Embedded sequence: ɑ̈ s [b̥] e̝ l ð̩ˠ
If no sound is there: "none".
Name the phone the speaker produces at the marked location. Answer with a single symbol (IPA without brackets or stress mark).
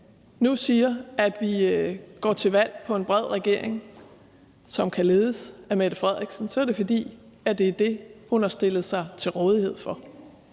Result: d̥